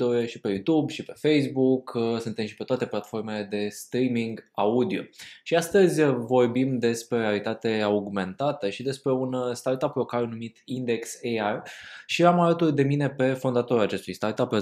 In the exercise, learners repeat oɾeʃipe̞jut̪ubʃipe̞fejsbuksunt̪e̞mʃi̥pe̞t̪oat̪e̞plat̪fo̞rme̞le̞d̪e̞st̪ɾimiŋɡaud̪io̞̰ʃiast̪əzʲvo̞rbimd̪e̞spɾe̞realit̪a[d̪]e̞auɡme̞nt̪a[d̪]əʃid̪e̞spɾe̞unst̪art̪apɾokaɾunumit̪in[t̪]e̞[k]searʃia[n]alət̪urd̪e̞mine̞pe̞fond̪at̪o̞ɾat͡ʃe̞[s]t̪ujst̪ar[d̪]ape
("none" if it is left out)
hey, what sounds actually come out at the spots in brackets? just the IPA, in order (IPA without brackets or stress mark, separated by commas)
t̪, t̪, d̪, k, m, s, t̪